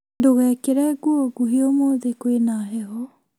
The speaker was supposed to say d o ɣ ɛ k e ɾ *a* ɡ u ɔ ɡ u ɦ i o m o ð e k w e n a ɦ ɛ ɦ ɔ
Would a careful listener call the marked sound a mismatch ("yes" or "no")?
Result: yes